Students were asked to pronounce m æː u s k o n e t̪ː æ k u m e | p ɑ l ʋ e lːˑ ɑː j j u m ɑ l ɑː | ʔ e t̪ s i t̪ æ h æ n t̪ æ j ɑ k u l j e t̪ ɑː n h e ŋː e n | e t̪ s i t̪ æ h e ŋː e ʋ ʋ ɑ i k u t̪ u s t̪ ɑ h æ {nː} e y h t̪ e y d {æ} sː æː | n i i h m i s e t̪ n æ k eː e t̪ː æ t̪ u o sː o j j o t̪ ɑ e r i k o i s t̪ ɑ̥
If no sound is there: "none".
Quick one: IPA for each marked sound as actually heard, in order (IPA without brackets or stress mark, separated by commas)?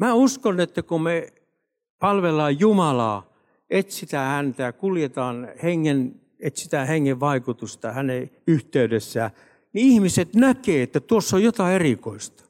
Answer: n, e